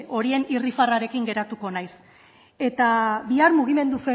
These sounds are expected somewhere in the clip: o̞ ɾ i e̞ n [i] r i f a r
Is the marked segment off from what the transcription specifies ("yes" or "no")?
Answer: no